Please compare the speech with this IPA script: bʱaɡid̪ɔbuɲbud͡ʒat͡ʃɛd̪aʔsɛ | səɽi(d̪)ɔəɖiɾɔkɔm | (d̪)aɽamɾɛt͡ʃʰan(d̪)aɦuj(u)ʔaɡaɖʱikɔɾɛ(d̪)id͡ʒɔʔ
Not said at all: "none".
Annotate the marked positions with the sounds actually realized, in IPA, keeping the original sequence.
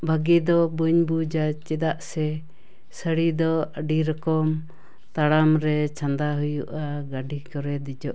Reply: d̪, t̪, d̪, u, d̪

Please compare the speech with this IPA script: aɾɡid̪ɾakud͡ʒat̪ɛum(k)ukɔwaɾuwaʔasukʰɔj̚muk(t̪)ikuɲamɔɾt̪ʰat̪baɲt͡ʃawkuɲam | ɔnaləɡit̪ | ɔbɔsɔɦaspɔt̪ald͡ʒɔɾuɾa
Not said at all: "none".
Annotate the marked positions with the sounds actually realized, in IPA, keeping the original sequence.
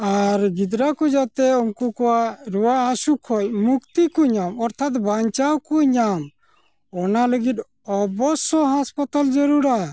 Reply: k, t̪

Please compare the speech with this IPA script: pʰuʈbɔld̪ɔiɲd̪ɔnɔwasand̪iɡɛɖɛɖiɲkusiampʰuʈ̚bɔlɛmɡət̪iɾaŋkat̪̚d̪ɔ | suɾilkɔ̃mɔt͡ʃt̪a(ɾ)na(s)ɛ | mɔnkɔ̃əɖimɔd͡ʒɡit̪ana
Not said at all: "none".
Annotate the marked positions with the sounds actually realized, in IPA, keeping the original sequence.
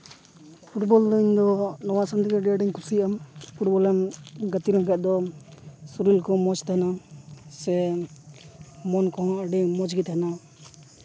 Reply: none, s

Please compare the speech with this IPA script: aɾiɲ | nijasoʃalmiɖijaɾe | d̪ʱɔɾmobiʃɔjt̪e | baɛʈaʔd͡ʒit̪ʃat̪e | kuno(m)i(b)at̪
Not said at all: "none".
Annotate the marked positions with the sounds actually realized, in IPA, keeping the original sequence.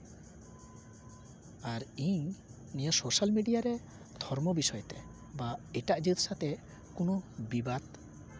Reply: b, b

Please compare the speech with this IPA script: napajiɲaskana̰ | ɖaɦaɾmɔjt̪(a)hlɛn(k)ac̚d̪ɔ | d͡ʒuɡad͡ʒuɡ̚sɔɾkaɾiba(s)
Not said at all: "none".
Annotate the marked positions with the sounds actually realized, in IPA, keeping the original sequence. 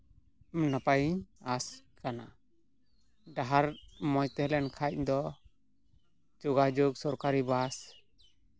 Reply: ɛ, kʰ, s

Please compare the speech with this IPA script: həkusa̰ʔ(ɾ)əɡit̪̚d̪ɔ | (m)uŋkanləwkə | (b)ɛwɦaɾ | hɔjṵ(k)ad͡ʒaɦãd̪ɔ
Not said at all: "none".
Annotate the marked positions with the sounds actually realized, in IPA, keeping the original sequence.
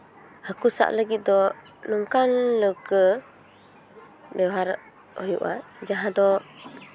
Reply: l, n, b, ʔ

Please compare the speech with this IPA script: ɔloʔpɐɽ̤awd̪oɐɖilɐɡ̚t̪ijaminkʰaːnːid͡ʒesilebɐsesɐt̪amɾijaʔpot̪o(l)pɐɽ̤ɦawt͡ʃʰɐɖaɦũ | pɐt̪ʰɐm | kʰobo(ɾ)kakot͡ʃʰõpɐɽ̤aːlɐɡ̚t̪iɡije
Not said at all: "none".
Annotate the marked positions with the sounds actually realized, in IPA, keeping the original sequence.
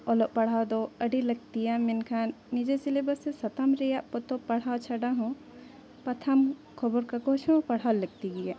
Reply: none, ɾ

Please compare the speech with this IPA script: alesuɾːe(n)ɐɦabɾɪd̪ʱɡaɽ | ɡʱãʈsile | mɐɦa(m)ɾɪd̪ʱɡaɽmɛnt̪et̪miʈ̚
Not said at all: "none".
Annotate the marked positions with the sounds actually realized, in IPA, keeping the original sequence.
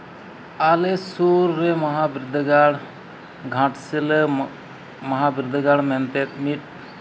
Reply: m, b

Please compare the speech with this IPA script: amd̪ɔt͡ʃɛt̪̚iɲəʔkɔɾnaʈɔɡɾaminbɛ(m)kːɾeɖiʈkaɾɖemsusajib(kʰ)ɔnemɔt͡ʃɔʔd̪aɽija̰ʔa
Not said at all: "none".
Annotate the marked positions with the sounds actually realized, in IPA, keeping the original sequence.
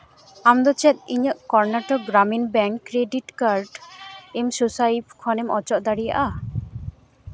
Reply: ŋ, kʰ

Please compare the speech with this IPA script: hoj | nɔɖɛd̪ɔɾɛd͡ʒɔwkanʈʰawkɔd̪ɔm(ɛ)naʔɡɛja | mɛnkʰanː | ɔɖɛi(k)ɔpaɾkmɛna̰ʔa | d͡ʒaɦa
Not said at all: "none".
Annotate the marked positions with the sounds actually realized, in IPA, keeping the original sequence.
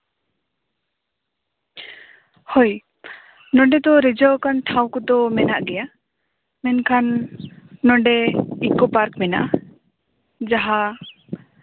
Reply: ɛ, k

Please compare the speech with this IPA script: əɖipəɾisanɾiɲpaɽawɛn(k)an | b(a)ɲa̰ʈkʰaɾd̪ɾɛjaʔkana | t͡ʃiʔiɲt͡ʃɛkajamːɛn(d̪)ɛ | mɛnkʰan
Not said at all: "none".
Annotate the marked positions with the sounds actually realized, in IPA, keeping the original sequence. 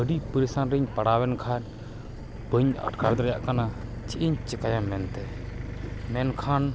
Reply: kʰ, ə, t̪

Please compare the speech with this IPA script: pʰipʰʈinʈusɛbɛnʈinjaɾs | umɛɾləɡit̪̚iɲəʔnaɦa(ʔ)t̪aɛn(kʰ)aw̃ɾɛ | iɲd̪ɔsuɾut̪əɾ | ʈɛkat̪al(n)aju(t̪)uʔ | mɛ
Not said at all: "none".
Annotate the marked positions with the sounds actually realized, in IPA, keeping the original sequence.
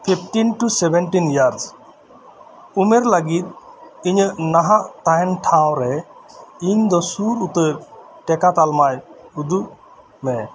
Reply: ʔ, ʈʰ, m, d̪

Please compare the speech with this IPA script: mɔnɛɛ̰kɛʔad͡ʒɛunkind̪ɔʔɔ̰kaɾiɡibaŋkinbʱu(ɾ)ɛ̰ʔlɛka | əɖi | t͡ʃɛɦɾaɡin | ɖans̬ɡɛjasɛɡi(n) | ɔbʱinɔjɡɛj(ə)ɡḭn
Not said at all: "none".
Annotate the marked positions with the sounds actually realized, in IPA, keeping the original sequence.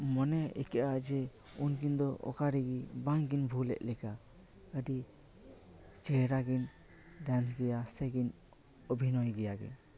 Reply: l, n, a

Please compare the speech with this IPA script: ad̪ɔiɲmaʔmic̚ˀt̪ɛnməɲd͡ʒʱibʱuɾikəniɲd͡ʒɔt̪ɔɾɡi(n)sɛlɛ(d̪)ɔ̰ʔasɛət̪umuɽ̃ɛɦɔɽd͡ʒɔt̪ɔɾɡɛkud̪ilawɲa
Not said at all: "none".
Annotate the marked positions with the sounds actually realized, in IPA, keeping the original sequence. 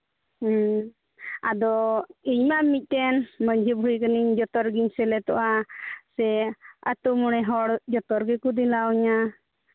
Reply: ɲ, t̪

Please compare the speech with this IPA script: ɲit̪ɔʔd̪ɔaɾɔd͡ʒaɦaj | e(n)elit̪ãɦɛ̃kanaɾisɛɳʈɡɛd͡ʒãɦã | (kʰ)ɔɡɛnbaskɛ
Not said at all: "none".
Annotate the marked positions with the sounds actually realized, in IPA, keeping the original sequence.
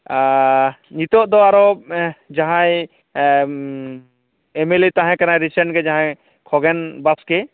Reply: m, kʰ

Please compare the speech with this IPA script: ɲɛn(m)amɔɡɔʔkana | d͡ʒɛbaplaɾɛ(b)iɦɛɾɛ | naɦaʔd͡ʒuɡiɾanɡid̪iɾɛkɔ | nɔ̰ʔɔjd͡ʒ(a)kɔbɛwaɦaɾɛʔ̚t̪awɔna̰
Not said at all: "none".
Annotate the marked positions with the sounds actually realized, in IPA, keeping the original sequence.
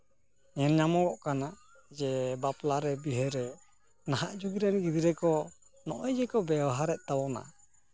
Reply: ɲ, b, ɛ

